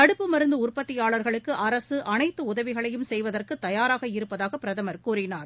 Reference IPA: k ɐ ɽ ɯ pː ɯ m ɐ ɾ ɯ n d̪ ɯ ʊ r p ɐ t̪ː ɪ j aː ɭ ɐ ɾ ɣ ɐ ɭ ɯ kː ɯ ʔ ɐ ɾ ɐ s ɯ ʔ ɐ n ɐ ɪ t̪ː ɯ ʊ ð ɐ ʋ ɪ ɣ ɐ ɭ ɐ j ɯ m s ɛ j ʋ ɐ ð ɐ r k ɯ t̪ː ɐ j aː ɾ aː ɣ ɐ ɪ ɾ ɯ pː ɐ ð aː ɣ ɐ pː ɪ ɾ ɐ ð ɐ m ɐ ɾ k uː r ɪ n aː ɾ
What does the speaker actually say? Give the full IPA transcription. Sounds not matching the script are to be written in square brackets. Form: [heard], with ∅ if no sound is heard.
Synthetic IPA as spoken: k ɐ ɽ ɯ pː ɯ m ɐ ɾ ɯ n d̪ ɯ ʊ r p ɐ t̪ː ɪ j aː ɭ ɐ ɾ ɣ ɐ ɭ ɯ kː ɯ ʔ ɐ ɾ ɐ s ɯ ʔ ɐ n ɐ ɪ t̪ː ɯ ʊ ð ɐ ʋ ɪ ɣ ɐ ɭ ɐ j ɯ m s ɛ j ʋ ɐ ð ɐ r k ɯ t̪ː ɐ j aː ɾ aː ɣ ɐ ɪ ɾ ɯ pː ɐ ð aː ɣ ɐ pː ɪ ɾ ɐ ð ɐ m ɐ ɾ k uː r ɪ n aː ɾ

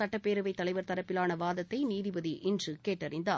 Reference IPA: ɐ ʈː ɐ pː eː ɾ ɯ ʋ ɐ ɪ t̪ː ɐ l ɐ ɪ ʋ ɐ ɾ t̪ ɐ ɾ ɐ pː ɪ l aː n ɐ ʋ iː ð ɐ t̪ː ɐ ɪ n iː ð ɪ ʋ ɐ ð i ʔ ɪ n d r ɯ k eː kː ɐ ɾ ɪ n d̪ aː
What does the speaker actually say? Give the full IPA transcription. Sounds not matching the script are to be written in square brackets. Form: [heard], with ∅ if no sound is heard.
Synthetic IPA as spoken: ɐ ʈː ɐ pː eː ɾ ɯ ʋ ɐ ɪ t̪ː ɐ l ɐ ɪ ʋ ɐ ɾ t̪ ɐ ɾ ɐ pː ɪ l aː n ɐ ʋ [aː] ð ɐ t̪ː ɐ ɪ n iː ð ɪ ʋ ɐ ð i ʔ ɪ n d r ɯ k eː [ʈː] ɐ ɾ ɪ n d̪ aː

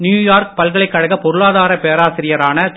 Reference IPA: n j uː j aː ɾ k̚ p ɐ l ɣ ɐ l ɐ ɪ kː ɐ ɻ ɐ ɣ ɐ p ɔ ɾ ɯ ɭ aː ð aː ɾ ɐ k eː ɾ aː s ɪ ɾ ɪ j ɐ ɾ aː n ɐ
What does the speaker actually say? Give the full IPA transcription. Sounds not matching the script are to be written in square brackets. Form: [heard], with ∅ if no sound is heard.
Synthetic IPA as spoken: n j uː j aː ɾ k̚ p ɐ l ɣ ɐ [ɭ] ɐ ɪ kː ɐ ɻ ɐ ɣ ɐ p ɔ ɾ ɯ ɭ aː ð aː ɾ ɐ [p] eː ɾ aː s ɪ ɾ ɪ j ɐ ɾ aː n ɐ

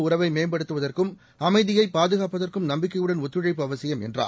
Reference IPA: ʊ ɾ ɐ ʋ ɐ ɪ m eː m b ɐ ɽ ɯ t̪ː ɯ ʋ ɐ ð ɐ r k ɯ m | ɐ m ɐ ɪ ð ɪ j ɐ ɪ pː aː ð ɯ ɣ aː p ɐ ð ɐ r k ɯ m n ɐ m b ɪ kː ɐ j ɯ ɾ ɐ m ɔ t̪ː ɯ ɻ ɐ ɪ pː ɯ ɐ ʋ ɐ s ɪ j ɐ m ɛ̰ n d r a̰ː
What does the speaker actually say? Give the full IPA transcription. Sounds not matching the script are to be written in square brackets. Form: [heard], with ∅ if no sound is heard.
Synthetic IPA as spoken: ʊ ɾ ɐ ʋ ɐ ɪ m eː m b ɐ ɽ ɯ t̪ː ɯ ʋ ɐ ð ɐ r k ɯ m | ɐ m ɐ ɪ ð ɪ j ɐ ɪ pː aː ð ɯ ɣ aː p ɐ ð ɐ r k ɯ m n ɐ m b ɪ kː ɐ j ɯ [ɽ] ɐ [n] ɔ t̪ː ɯ ɻ ɐ ɪ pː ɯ ɐ ʋ ɐ s ɪ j ɐ m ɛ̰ n d r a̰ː

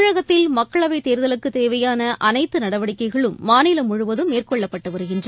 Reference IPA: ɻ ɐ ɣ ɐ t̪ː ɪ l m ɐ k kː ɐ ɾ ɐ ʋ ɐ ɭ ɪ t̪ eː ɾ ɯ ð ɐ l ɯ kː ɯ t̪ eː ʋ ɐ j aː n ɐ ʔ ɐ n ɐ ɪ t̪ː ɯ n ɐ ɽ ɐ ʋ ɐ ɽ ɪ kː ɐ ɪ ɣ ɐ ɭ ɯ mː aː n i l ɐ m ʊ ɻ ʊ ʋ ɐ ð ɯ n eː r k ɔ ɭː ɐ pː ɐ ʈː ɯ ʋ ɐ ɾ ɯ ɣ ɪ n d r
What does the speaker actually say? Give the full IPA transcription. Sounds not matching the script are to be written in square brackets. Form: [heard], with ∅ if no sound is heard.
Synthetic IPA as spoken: ɻ ɐ ɣ ɐ t̪ː ɪ l m ɐ k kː ɐ [ɭ] ɐ ʋ ɐ [∅] ɪ t̪ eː ɾ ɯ ð ɐ l ɯ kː ɯ t̪ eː ʋ ɐ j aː n ɐ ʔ ɐ n ɐ ɪ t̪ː ɯ n ɐ ɽ ɐ ʋ ɐ ɽ ɪ kː ɐ ɪ ɣ ɐ ɭ ɯ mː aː n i l ɐ m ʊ ɻ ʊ ʋ ɐ ð ɯ [m] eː r k ɔ ɭː ɐ pː ɐ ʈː ɯ ʋ ɐ ɾ ɯ ɣ ɪ n d r

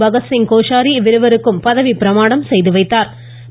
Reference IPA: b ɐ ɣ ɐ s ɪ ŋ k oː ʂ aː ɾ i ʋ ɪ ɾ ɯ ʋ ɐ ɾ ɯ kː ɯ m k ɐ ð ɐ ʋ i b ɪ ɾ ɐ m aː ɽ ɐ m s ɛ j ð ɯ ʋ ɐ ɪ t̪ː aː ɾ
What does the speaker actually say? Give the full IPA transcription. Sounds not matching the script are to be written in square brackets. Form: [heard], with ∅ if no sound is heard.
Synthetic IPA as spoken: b ɐ ɣ ɐ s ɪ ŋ k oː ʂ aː ɾ i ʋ ɪ ɾ ɯ ʋ ɐ ɾ ɯ kː ɯ m [p] ɐ ð ɐ ʋ i [p] ɪ ɾ ɐ m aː ɽ ɐ m s ɛ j ð ɯ ʋ ɐ ɪ t̪ː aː ɾ

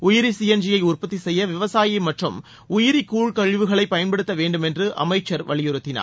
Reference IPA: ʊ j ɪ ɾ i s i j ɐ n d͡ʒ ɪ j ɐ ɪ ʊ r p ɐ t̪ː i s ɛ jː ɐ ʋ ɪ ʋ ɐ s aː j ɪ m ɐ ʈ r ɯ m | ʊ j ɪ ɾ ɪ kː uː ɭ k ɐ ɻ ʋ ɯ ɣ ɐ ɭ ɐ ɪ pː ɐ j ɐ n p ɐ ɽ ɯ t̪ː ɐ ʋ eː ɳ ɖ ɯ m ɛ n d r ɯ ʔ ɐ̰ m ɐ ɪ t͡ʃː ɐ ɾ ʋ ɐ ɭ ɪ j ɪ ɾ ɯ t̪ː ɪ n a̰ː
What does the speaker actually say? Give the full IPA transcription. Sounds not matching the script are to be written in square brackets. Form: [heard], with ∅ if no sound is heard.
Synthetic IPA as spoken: ʊ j ɪ ɾ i s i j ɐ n d͡ʒ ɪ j ɐ ɪ ʊ r p ɐ t̪ː i s ɛ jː ɐ ʋ ɪ ʋ ɐ s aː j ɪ m ɐ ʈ r ɯ m | ʊ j ɪ ɾ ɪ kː uː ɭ k ɐ ɻ ʋ ɯ ɣ ɐ ɭ ɐ ɪ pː ɐ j ɐ n p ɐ ɽ ɯ t̪ː ɐ ʋ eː ɳ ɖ ɯ m ɛ n d r ɯ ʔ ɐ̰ m ɐ ɪ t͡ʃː ɐ ɾ ʋ ɐ ɭ ɪ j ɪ ɾ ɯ t̪ː ɪ n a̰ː

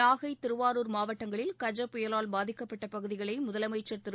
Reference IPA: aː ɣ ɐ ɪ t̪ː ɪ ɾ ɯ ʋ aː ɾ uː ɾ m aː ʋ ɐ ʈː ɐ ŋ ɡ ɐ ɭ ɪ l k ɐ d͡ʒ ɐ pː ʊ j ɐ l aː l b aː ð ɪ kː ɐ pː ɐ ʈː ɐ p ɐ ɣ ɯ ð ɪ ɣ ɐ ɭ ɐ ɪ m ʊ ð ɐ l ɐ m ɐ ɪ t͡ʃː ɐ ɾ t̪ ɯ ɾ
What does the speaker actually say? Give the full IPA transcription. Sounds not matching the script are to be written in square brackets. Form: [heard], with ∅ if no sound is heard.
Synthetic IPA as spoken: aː ɣ ɐ ɪ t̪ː ɪ ɾ ɯ ʋ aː ɾ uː ɾ m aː ʋ ɐ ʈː ɐ ŋ ɡ ɐ ɭ ɪ l k ɐ d͡ʒ ɐ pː ʊ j ɐ l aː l b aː ð ɪ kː ɐ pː ɐ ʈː ɐ p ɐ ɣ ɯ ð ɪ ɣ ɐ ɭ ɐ ɪ m ʊ ð ɐ l ɐ m ɐ ɪ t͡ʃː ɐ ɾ t̪ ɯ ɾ

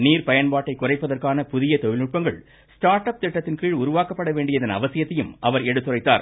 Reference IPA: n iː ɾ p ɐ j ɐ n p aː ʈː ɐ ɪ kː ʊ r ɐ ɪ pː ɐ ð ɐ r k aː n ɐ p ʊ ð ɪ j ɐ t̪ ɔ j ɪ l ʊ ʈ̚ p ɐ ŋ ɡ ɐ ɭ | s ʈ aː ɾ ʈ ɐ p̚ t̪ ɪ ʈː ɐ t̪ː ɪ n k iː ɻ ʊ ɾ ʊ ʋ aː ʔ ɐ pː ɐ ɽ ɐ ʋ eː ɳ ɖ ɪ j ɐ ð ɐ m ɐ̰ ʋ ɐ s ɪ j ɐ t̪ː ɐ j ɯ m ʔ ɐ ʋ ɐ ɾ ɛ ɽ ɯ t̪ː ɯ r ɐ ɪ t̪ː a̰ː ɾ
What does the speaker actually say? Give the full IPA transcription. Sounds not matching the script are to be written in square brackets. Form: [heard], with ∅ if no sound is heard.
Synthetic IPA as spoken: n iː ɾ p ɐ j ɐ n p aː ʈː ɐ ɪ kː ʊ r ɐ ɪ pː ɐ ð ɐ r k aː n ɐ p ʊ ð ɪ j ɐ t̪ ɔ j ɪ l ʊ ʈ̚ p ɐ ŋ ɡ ɐ ɭ | s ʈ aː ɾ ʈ ɐ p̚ t̪ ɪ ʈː ɐ t̪ː ɪ n k iː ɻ ʊ ɾ ʊ ʋ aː [k] ɐ pː ɐ ɽ ɐ ʋ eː ɳ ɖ ɪ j ɐ ð ɐ [n] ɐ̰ ʋ ɐ s ɪ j ɐ t̪ː ɐ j ɯ m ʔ ɐ ʋ ɐ ɾ ɛ ɽ ɯ t̪ː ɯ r ɐ ɪ t̪ː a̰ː ɾ

